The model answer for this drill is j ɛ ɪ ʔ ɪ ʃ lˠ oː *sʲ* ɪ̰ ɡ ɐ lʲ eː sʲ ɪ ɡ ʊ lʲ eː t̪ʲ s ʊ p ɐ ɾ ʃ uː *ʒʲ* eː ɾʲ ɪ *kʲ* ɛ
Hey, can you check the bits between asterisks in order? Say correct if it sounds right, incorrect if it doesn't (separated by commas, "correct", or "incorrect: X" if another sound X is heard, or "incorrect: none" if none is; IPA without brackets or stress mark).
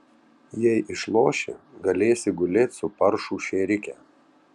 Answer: incorrect: ʃʲ, incorrect: ʃʲ, correct